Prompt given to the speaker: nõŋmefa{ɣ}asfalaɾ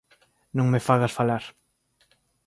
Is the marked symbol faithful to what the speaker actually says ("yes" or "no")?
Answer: yes